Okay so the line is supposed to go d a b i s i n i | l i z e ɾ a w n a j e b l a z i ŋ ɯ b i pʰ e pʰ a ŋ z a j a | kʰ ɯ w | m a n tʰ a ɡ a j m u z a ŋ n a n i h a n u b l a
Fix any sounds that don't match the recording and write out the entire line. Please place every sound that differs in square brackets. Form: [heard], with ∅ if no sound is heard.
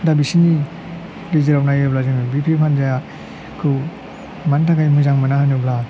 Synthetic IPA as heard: d a b i s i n i | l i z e ɾ a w n a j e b l a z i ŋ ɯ b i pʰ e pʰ a [n] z a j a | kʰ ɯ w | m a n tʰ a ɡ a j m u z a ŋ [m] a n [a] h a n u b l a